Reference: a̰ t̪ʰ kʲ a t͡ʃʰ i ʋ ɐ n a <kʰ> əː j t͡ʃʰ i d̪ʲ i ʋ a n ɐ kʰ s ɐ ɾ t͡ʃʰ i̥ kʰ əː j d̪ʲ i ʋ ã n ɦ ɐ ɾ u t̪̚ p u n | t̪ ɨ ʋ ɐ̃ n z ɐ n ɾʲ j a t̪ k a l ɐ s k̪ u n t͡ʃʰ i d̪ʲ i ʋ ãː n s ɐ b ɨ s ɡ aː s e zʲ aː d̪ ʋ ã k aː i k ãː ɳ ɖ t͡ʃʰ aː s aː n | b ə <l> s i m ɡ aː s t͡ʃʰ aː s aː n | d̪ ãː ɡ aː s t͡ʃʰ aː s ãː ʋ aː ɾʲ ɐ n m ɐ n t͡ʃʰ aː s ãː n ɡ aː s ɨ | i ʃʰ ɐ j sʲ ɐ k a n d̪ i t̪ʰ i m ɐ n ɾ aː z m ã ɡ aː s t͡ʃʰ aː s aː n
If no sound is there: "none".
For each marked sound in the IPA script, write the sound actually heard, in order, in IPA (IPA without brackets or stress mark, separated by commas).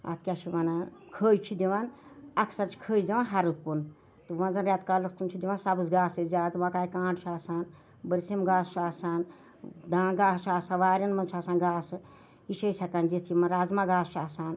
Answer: kʰ, ɾ